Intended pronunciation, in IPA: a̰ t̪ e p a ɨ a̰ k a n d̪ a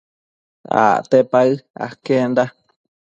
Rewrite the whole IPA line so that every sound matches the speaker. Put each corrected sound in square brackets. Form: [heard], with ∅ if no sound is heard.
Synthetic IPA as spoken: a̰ t̪ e p a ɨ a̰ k [e] n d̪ a